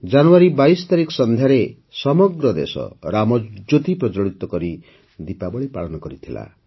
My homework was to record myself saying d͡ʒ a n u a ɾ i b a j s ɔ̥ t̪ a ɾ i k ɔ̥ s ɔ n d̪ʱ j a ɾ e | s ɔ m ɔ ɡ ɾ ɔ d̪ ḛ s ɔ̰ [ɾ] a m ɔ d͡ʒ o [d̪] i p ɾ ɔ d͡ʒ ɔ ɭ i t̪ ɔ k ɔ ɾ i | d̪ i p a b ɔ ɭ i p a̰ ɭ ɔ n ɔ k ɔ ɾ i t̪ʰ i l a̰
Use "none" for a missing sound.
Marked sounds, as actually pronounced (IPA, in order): ɾ, t̪

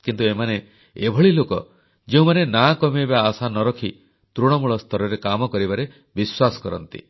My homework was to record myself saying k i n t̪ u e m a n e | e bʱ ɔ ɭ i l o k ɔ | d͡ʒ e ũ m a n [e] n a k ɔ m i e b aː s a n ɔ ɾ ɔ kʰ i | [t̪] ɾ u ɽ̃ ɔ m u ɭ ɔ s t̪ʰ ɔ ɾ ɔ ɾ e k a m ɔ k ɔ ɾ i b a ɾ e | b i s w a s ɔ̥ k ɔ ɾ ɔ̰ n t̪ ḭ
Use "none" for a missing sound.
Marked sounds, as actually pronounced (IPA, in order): e, t̪

